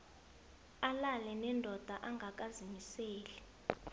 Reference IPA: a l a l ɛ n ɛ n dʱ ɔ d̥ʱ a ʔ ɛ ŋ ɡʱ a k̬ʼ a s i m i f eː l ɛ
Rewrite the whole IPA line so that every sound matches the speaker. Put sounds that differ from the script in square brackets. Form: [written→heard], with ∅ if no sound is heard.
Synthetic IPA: a l a l ɛ n ɛ n dʱ ɔ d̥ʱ a ʔ [ɛ→a] ŋ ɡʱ a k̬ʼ a [s→z] i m i [f→s] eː l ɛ